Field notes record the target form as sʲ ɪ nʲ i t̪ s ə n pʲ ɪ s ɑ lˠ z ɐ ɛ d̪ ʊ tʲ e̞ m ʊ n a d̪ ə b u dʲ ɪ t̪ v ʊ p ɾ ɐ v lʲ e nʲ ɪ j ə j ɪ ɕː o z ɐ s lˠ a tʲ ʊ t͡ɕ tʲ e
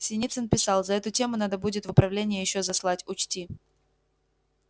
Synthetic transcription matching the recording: sʲ ɪ nʲ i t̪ s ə n pʲ ɪ s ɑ lˠ z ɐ ɛ t̪ ʊ tʲ e̞ m ʊ n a d̪ ə b u dʲ ɪ t̪ v ʊ p ɾ ɐ v lʲ e nʲ ɪ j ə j ɪ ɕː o z ɐ s lˠ a tʲ ʊ t͡ɕ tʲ i